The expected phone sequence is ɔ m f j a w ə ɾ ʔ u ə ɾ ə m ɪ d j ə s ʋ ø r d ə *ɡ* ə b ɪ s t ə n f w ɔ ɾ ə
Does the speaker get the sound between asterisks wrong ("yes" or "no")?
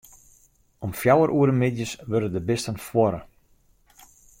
yes